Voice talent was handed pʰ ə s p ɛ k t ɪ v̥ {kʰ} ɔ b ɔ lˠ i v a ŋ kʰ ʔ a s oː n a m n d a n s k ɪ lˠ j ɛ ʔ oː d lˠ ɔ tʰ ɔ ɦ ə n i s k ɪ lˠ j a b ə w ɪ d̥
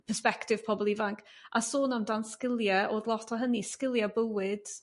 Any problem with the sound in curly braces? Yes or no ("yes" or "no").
yes